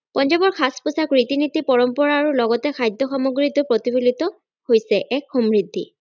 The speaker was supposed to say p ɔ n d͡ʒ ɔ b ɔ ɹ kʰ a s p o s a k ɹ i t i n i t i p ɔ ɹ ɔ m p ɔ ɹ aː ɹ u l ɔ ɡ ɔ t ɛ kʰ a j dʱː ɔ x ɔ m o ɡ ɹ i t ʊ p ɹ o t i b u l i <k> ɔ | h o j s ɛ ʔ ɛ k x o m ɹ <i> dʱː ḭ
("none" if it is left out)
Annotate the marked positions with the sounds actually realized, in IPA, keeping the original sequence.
t, i

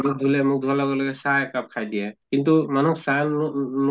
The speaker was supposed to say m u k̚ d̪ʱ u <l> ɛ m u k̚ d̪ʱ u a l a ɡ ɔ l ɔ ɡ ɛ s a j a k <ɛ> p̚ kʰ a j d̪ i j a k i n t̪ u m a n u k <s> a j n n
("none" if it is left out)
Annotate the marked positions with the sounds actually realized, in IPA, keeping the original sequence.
l, a, s

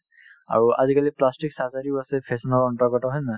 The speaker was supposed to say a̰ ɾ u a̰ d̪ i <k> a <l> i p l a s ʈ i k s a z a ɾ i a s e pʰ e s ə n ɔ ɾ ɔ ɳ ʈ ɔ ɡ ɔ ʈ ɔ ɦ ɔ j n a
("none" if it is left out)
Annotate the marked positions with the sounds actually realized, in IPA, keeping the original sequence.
k, l

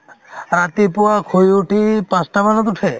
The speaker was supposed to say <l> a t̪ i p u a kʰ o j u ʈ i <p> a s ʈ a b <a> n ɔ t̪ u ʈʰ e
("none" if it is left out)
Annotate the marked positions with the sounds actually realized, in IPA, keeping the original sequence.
ɾ, p, a

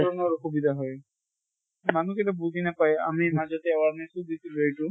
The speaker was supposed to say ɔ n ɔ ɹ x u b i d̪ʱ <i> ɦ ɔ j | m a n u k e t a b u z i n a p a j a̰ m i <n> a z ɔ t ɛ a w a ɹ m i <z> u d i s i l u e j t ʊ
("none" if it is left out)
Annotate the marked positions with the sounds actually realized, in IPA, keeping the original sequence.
a, m, s

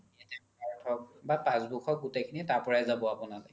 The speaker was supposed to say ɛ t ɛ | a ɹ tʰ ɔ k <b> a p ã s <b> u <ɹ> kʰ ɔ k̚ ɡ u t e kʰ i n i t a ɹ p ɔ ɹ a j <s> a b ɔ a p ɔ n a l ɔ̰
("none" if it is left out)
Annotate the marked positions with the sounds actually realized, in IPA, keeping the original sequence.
b, b, none, z

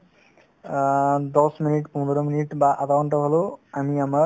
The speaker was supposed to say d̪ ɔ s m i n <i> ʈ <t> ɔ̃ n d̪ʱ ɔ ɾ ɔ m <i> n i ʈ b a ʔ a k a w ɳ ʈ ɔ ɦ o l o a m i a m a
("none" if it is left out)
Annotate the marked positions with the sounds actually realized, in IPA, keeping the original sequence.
i, p, i

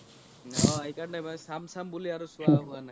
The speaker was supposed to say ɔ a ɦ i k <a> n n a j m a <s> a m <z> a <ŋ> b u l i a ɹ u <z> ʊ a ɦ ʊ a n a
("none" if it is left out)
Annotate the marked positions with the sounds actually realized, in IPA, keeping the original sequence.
a, s, s, m, s

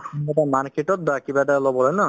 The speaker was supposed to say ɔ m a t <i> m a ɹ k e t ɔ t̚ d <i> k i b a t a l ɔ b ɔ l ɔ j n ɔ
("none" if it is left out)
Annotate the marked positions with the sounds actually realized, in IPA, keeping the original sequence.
a, a

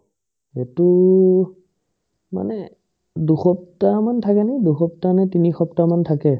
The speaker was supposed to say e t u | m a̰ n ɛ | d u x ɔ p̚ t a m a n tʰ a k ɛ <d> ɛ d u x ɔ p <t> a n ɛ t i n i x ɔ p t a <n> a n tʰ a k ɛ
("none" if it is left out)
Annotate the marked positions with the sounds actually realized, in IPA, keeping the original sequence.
n, t, m

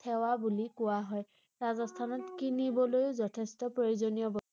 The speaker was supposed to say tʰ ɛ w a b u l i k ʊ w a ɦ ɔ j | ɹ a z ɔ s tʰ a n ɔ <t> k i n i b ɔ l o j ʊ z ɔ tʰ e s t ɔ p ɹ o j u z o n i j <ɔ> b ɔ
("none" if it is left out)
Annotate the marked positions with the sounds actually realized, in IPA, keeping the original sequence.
t, ɔ

